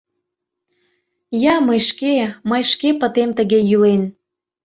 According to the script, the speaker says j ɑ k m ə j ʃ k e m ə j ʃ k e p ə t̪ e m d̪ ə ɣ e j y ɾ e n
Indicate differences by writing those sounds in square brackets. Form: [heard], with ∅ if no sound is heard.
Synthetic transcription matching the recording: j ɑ [∅] m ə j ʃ k e m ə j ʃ k e p ə t̪ e m [t̪] ə ɣ e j y [l] e n

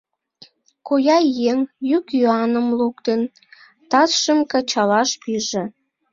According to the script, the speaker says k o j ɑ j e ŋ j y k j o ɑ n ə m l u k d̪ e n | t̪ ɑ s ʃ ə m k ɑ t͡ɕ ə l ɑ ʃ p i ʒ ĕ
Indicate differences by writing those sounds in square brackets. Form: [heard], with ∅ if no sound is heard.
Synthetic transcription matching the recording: k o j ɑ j e ŋ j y k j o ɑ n ə m l u k [t̪] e n | t̪ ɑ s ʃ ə m k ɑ t͡ɕ [ɑ] l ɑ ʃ p i ʒ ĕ

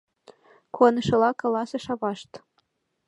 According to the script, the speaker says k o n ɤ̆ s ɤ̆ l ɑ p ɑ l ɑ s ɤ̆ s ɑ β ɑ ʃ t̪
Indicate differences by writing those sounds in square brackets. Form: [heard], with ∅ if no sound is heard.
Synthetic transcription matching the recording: k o n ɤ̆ [ʃ] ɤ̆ l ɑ [k] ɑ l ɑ s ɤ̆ [ʃ] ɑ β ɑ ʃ t̪

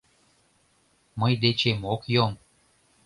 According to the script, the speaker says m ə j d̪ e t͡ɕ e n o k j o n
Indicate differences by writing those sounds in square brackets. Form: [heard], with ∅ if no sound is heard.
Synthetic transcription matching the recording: m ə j d̪ e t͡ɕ e [m] o k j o [m]

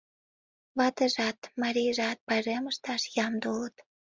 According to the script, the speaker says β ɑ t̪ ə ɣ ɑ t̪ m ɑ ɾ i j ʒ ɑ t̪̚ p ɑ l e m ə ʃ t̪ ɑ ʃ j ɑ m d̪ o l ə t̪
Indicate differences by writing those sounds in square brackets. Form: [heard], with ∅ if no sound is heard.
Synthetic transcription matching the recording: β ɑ t̪ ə [ʒ] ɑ t̪ m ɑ ɾ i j ʒ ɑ t̪̚ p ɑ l e m ə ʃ t̪ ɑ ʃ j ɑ m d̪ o l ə t̪

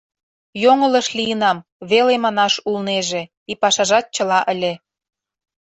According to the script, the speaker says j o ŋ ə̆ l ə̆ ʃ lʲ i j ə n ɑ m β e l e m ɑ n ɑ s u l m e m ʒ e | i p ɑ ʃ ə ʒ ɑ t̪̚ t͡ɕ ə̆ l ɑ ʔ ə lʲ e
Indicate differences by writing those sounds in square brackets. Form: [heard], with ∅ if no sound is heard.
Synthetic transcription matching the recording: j o ŋ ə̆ l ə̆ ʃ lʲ i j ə n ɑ m β e l e m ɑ n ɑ [ʃ] u l [n] e [∅] ʒ e | i p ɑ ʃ [ɑ] ʒ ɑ t̪̚ t͡ɕ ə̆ l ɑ ʔ ə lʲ e

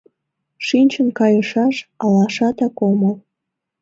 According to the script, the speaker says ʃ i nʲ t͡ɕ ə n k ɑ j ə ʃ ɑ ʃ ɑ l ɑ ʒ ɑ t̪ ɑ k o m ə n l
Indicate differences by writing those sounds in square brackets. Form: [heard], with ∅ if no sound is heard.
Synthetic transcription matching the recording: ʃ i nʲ t͡ɕ ə n k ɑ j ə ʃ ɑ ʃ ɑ l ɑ [ʃ] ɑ t̪ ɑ k o m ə [∅] l

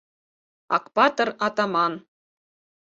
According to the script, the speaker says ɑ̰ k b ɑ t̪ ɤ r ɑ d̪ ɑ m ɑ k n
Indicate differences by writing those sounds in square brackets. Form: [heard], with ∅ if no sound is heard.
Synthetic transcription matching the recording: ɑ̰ k [p] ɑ t̪ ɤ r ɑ [t̪] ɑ m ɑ [∅] n

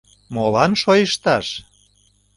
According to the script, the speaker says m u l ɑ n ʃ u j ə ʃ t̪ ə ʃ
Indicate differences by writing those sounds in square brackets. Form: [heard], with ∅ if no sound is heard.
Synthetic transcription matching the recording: m [o] l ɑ n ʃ [o] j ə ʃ t̪ [ɑ] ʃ

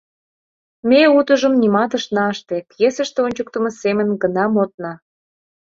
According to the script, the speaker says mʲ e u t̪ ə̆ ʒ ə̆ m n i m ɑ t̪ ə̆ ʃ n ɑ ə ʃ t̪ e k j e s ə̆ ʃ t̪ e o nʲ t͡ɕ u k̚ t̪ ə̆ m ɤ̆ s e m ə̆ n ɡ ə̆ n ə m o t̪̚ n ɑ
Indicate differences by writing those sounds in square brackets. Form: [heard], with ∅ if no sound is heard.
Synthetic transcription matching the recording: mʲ e u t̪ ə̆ ʒ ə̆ m n i m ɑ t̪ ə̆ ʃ n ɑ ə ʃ t̪ e k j e s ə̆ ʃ t̪ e o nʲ t͡ɕ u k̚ t̪ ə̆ m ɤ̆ s e m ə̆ n ɡ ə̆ n [ɑ] m o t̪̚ n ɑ

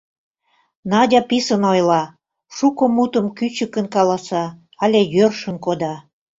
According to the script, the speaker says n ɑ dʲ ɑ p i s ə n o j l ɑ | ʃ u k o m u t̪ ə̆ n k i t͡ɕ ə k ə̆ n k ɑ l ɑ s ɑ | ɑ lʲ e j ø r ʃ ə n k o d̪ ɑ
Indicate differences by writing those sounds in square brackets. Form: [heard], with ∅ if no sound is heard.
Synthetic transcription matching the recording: n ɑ dʲ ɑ p i s ə n o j l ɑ | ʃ u k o m u t̪ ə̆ [m] k [y] t͡ɕ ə k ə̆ n k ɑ l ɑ s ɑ | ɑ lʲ e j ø r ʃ ə n k o d̪ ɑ

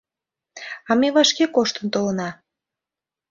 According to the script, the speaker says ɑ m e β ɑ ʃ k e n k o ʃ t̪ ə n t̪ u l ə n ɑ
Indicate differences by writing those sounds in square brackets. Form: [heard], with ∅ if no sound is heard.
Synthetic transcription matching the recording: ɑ m e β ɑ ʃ k e [∅] k o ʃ t̪ ə n t̪ [o] l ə n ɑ

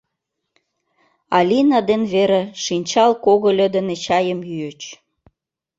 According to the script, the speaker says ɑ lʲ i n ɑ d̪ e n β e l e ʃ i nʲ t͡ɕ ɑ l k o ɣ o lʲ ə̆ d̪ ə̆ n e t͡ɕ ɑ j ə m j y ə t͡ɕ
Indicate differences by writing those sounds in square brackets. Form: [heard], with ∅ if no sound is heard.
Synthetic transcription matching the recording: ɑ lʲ i n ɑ d̪ e n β e [ɾ] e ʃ i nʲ t͡ɕ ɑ l k o ɣ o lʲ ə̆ d̪ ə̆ n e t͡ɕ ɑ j ə m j y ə t͡ɕ

